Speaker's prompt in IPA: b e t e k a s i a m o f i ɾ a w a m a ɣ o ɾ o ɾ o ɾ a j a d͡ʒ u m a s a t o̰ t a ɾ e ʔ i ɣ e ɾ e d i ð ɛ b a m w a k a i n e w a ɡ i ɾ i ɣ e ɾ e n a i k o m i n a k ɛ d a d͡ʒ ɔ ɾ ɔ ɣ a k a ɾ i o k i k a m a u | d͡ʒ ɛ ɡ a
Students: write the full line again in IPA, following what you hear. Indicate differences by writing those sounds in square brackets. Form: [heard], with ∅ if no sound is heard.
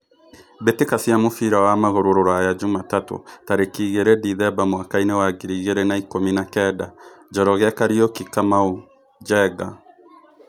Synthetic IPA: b e t e k a s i a m o f i ɾ a w a m a ɣ o ɾ o ɾ o ɾ a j a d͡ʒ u m a [t] a t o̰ t a ɾ e [k] i ɣ e ɾ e d i ð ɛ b a m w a k a i n e w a ɡ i ɾ i ɣ e ɾ e n a i k o m i n a k ɛ d a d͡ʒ ɔ ɾ ɔ ɣ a k a ɾ i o k i k a m a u | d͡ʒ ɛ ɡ a